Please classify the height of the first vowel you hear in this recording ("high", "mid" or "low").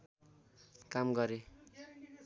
low